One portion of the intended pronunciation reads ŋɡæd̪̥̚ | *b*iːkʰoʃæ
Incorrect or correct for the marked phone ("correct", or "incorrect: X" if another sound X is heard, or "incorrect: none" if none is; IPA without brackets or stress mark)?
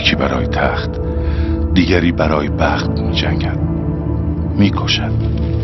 incorrect: m